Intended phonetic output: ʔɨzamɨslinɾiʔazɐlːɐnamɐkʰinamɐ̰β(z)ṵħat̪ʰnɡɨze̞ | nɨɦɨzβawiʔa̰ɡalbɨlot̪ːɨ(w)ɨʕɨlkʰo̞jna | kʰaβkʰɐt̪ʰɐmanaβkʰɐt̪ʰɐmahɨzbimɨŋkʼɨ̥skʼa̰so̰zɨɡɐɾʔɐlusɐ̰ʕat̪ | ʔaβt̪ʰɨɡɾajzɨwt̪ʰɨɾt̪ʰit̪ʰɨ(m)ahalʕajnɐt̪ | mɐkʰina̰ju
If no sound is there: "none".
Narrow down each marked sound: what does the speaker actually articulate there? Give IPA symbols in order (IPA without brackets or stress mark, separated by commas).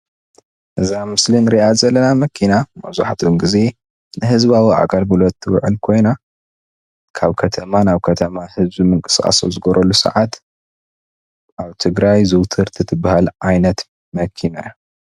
z, w, b